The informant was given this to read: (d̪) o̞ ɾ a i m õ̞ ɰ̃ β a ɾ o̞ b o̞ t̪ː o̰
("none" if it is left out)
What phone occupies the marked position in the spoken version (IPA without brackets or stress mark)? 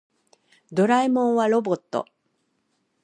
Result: d̪